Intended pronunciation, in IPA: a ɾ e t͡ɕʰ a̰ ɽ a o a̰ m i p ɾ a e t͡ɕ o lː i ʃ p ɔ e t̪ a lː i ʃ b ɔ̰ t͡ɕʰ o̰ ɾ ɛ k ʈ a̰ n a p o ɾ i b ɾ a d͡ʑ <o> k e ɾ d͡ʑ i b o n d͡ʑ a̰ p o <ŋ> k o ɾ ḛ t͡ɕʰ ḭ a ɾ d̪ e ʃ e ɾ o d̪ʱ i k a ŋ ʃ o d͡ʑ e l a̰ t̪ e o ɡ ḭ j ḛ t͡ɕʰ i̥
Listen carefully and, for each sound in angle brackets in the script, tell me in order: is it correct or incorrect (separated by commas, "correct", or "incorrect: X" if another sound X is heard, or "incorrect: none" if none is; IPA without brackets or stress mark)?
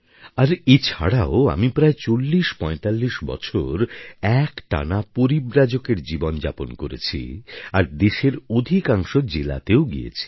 correct, incorrect: n